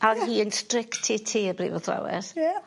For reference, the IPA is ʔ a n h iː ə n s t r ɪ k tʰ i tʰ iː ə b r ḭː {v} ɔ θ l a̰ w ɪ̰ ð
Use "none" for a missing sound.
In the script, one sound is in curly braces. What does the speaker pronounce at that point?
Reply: v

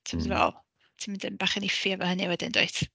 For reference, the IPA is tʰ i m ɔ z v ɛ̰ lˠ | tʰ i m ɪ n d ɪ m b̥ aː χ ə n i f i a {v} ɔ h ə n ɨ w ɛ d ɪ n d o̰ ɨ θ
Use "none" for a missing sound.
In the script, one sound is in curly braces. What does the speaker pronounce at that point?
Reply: v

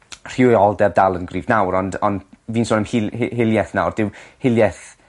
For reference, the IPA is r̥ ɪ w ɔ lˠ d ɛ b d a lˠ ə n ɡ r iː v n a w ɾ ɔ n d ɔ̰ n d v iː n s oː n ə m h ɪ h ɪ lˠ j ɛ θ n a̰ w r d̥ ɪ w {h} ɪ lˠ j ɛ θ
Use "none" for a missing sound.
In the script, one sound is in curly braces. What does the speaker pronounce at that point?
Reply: h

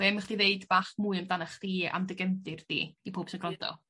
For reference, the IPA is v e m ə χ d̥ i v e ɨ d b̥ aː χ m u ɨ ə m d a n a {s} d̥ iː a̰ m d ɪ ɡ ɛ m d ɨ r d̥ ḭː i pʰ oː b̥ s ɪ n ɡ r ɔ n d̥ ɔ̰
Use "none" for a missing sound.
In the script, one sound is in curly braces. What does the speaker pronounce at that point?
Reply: χ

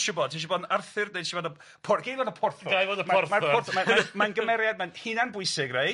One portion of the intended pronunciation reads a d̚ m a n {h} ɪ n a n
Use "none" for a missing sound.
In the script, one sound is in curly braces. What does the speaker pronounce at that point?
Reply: h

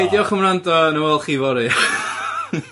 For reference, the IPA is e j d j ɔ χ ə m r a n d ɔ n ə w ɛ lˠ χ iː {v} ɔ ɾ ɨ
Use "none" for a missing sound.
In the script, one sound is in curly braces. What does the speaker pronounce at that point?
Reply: v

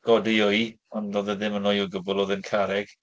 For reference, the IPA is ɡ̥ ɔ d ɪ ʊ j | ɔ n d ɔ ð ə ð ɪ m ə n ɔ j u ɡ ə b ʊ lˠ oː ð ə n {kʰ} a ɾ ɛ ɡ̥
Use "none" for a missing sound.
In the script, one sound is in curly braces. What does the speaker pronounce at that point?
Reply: kʰ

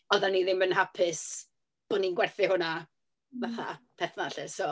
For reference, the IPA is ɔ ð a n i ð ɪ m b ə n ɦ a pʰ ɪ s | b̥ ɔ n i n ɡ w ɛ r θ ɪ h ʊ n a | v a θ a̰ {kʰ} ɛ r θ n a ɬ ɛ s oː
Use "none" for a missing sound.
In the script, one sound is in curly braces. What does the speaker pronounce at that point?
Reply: pʰ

